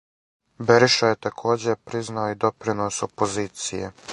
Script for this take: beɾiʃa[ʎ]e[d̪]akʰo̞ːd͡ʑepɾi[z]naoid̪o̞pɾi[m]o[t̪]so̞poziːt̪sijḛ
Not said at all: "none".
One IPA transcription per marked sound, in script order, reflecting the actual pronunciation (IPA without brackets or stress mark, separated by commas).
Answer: j, t̪, z, n, none